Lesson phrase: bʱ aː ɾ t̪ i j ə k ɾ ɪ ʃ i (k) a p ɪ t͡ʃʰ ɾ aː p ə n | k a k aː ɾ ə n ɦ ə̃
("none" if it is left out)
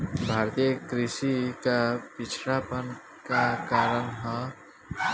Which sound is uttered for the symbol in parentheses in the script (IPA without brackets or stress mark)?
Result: k